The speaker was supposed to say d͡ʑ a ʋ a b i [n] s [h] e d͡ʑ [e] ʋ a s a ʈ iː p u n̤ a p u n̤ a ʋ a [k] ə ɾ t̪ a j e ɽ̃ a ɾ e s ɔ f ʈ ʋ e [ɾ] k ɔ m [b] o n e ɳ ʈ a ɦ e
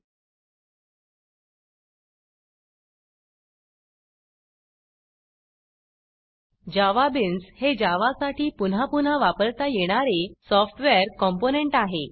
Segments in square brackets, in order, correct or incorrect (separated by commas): correct, correct, incorrect, incorrect, correct, incorrect